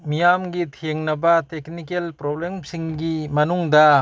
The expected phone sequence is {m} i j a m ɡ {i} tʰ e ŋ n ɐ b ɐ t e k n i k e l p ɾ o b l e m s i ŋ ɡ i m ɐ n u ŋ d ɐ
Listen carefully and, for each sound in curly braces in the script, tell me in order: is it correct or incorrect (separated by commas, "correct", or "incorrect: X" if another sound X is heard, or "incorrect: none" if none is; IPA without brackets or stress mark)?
correct, correct